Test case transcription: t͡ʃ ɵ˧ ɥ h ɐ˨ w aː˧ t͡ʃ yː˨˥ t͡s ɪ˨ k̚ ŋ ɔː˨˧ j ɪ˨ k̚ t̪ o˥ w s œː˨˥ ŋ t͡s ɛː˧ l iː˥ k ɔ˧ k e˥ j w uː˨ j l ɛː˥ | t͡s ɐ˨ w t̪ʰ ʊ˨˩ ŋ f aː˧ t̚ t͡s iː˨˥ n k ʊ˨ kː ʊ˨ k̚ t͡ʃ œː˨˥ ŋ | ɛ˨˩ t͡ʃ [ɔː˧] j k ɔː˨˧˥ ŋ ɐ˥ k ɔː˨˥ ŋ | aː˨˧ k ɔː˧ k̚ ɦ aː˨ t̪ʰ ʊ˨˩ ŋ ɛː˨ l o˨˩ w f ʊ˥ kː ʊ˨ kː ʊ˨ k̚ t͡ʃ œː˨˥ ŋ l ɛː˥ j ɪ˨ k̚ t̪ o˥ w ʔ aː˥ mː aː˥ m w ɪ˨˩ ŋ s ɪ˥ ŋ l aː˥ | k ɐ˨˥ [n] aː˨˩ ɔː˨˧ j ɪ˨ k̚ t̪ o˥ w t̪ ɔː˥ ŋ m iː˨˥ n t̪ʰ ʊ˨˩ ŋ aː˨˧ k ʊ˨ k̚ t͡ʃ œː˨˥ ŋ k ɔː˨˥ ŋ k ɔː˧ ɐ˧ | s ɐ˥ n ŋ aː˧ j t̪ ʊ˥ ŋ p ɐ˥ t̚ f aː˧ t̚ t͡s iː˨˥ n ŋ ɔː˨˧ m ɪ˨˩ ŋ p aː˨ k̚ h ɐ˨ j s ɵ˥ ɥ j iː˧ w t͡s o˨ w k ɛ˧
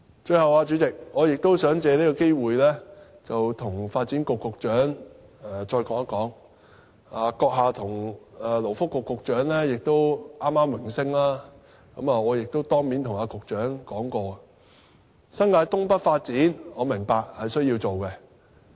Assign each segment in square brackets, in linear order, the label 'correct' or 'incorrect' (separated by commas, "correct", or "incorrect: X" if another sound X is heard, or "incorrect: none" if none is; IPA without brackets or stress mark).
correct, incorrect: m